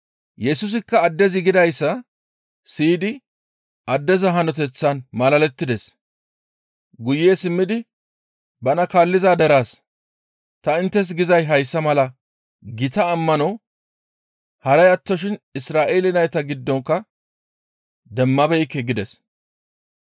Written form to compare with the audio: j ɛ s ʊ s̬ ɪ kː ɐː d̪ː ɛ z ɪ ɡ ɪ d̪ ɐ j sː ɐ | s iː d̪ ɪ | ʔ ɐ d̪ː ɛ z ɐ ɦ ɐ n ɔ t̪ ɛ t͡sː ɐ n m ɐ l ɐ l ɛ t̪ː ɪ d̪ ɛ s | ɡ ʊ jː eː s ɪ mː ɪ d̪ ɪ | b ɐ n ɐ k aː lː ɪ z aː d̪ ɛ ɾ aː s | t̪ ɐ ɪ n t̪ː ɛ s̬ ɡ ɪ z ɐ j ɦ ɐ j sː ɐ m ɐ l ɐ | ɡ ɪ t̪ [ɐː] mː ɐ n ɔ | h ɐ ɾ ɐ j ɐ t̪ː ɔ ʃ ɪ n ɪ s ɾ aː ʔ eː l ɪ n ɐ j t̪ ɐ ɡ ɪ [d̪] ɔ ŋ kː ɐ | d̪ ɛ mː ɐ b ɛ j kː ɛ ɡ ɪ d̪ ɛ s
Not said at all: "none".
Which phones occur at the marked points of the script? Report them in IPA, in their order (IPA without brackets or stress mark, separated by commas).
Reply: ɐː, d̪ː